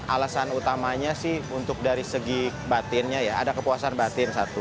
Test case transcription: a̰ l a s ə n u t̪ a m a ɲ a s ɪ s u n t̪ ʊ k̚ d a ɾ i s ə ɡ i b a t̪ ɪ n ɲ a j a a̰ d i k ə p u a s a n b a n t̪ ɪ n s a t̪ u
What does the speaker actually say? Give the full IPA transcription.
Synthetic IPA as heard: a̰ l a s a n u t̪ a m a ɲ a s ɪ h u n t̪ ʊ k̚ d a ɾ i s ə ɡ i b a t̪ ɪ n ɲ a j a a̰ d a k ə p u a s a n b a t̪ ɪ n s a t̪ u